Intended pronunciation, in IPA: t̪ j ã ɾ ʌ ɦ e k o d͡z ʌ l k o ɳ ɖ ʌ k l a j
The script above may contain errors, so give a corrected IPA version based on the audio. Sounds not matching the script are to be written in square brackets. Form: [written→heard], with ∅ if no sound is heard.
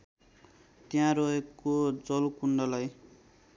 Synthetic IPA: t̪ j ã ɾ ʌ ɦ e k o d͡z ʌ l k [o→u] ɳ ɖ ʌ [k→∅] l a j